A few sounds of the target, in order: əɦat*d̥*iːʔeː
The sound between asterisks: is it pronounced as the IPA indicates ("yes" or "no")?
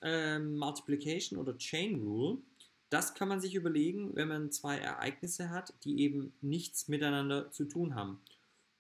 yes